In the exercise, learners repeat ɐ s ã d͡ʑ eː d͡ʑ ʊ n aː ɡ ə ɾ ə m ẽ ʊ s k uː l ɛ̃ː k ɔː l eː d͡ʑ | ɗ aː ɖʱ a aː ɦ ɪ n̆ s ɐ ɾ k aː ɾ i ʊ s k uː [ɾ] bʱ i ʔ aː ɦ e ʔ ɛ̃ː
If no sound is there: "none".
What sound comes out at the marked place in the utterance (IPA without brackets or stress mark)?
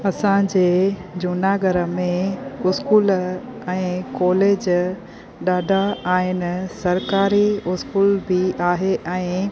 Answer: l